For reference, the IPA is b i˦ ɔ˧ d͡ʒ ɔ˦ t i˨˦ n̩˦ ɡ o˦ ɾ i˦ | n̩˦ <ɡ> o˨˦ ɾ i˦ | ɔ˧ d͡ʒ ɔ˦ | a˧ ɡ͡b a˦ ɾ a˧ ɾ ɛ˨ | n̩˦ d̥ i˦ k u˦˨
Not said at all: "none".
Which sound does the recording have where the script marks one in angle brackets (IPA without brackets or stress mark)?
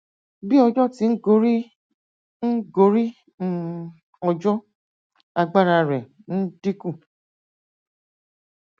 ɡ